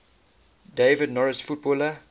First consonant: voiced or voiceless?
voiced